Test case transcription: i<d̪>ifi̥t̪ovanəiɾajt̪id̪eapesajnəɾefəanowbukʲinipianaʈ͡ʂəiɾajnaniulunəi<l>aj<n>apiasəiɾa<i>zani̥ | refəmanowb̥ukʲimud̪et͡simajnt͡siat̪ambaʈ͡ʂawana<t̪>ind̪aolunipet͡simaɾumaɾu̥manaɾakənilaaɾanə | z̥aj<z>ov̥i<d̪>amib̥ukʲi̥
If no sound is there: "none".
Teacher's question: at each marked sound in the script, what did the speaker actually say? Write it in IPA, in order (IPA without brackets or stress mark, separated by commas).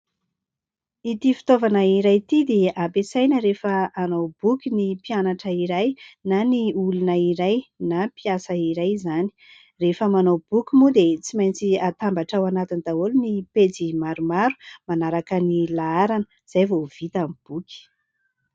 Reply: t̪, ɾ, n, j, t̪, v, t̪